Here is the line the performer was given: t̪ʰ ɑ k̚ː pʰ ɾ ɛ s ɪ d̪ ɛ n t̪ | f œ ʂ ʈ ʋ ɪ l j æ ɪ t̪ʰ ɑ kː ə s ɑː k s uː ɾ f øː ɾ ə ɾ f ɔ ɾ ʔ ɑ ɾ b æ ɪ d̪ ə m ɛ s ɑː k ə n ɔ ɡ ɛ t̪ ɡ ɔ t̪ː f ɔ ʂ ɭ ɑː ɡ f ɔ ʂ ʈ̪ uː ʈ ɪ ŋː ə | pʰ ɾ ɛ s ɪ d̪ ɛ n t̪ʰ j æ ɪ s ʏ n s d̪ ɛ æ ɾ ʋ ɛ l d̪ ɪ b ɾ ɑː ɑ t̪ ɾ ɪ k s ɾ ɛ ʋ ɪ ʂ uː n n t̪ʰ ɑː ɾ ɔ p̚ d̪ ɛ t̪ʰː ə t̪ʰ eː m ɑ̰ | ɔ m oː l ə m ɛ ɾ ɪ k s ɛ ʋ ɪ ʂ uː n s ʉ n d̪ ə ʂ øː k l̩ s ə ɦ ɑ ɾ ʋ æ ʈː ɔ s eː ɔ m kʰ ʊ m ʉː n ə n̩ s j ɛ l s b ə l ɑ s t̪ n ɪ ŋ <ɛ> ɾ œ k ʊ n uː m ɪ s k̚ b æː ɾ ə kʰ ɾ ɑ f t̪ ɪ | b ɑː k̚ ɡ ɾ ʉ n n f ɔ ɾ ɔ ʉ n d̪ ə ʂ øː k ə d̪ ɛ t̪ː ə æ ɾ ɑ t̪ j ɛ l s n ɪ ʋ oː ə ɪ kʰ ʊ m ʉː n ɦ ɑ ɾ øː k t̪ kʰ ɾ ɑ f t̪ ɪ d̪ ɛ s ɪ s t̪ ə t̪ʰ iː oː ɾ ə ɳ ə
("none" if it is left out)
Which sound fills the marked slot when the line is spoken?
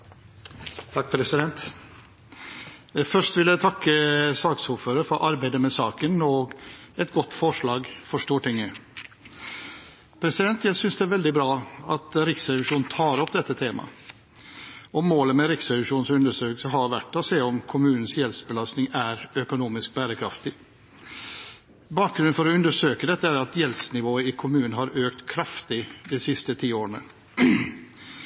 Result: æ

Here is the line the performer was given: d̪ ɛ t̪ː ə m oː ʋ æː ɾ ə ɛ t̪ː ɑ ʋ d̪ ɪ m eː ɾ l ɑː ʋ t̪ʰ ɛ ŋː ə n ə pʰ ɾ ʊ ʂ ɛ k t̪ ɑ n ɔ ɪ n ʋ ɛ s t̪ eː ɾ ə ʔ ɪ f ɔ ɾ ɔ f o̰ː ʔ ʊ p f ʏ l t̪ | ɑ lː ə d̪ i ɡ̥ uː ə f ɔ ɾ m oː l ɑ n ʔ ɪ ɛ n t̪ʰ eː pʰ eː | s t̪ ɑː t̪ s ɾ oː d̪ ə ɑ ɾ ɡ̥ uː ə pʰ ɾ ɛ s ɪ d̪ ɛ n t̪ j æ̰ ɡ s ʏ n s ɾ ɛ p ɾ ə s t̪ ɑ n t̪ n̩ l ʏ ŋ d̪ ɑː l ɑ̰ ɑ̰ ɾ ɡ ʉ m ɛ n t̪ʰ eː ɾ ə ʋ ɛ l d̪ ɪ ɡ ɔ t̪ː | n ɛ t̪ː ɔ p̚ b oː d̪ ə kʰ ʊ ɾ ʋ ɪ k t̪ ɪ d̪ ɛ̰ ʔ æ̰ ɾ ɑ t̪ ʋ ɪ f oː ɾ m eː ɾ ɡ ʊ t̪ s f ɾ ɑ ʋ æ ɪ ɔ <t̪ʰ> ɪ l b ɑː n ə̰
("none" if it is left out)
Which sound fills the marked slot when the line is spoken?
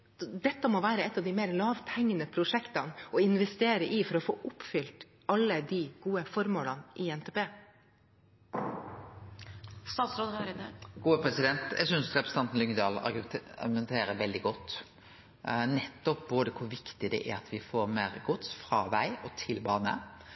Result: t̪ʰ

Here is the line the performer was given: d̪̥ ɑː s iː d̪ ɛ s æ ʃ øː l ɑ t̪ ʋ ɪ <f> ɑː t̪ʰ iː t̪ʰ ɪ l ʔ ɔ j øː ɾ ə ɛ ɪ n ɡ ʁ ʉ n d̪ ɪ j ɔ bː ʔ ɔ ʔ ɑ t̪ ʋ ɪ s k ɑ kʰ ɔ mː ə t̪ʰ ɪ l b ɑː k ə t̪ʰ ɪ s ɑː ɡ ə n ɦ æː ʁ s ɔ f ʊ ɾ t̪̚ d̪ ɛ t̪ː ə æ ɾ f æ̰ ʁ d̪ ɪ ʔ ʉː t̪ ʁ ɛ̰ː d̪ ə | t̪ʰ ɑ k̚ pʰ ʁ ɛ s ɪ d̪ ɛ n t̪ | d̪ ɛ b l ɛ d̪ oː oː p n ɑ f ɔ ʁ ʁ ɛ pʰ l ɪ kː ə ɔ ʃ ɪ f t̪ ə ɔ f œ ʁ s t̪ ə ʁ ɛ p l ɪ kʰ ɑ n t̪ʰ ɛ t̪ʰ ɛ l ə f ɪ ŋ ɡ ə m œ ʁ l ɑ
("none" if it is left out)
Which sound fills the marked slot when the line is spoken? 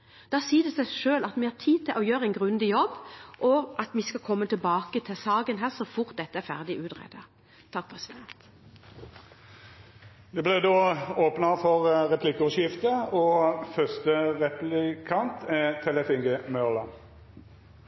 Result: h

